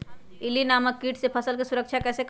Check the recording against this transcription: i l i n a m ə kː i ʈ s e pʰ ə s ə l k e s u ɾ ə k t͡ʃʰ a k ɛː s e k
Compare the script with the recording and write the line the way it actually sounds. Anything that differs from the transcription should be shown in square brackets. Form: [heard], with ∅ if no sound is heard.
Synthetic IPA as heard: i l i n a m ə kː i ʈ s e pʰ ə s ə l k e s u ɾ ə k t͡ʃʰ a k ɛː s e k